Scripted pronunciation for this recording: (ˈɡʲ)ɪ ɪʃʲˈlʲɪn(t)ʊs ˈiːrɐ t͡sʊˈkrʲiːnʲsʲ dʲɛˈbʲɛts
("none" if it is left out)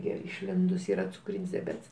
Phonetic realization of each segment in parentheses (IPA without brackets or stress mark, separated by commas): ɡʲ, d